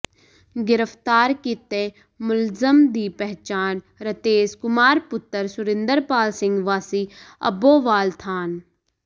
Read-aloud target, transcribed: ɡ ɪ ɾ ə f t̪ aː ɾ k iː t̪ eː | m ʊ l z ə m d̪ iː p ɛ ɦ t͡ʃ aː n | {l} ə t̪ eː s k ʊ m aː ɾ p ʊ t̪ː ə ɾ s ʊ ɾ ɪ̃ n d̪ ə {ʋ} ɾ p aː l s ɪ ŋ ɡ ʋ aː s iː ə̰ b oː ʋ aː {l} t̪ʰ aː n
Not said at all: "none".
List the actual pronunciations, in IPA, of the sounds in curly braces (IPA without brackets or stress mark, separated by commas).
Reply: ɾ, none, l